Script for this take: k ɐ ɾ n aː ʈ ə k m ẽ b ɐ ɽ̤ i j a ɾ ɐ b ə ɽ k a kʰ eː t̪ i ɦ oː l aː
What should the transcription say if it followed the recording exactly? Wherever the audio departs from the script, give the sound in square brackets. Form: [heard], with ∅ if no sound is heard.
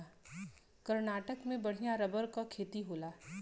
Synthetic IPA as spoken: k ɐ ɾ n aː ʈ ə k m ẽ b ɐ ɽ̤ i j a ɾ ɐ b ə [ɾ] k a kʰ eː t̪ i ɦ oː l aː